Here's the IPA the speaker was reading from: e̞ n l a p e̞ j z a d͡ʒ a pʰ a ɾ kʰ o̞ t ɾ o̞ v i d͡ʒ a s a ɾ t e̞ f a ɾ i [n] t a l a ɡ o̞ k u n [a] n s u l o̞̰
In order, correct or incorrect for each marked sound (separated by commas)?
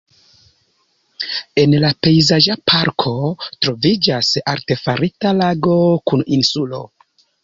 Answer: incorrect, incorrect